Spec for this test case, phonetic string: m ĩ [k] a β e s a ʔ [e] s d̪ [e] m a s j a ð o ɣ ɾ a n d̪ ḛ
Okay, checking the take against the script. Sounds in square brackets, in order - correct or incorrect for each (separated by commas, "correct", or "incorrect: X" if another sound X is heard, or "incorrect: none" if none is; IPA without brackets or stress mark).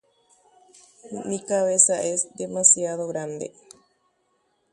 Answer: correct, correct, correct